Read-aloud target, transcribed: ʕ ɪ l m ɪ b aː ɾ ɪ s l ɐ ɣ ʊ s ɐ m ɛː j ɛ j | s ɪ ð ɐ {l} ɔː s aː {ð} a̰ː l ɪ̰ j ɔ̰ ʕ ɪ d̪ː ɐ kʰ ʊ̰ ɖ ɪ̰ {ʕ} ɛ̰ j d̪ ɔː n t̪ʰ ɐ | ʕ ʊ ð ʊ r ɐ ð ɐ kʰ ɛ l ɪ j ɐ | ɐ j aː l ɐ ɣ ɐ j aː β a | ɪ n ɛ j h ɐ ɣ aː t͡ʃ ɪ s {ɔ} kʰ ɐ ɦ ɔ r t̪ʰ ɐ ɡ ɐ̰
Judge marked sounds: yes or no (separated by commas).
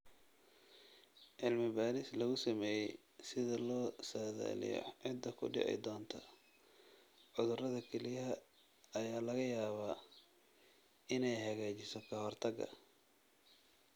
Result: yes, yes, yes, yes